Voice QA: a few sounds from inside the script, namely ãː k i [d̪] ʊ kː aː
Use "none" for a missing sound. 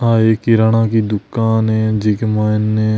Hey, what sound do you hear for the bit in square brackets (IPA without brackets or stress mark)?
d̪